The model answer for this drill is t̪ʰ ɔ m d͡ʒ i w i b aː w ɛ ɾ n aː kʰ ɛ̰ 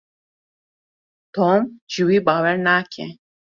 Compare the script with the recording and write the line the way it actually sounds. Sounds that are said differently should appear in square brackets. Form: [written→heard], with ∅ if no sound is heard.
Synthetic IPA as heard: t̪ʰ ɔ m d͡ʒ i w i b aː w ɛ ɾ n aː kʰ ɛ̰